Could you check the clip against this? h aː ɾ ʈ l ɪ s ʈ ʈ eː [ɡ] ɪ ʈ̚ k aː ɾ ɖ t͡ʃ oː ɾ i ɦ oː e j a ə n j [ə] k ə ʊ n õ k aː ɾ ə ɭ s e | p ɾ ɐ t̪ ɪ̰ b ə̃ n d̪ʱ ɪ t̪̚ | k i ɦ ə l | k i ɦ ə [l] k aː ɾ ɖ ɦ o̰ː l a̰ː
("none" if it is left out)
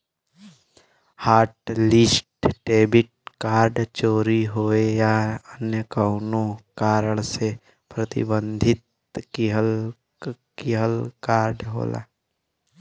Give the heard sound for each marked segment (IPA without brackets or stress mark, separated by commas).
b, ə, l